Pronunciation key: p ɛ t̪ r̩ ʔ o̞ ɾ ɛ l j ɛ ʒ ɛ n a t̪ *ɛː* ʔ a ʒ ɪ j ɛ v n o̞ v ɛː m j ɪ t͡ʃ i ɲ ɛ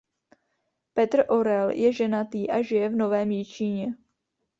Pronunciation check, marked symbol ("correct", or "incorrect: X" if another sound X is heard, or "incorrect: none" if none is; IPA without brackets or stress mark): incorrect: iː